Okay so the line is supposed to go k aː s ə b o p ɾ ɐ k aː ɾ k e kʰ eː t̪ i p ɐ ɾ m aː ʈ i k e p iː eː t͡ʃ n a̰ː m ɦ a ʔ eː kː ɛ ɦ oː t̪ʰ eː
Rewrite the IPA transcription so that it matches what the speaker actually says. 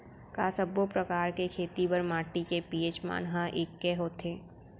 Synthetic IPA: k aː s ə b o p ɾ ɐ k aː ɾ k e kʰ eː t̪ i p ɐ ɾ m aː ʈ i k e p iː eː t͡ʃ m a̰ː n ɦ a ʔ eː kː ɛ ɦ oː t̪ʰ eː